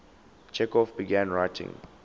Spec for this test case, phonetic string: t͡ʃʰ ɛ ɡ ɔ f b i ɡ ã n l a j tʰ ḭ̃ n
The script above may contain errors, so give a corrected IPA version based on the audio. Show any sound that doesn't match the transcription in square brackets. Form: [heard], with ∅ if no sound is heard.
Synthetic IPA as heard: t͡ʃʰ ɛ [k] ɔ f b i ɡ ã n [ɹ] a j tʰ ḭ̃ [ŋ]